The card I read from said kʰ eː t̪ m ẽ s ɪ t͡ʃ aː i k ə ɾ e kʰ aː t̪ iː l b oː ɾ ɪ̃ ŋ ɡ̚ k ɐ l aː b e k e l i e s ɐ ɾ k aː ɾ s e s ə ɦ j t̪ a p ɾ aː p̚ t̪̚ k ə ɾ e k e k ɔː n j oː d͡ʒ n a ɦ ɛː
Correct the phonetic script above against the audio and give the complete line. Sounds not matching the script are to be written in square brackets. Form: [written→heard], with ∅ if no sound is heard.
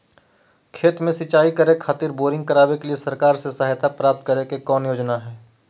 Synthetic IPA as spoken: kʰ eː t̪ m ẽ s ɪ t͡ʃ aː i k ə ɾ e kʰ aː t̪ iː [l→ɾ] b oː ɾ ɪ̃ ŋ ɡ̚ k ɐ [l→ɾ] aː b e k e l i e s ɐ ɾ k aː ɾ s e s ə ɦ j t̪ a p ɾ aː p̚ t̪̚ k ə ɾ e k e k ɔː n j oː d͡ʒ n a ɦ ɛː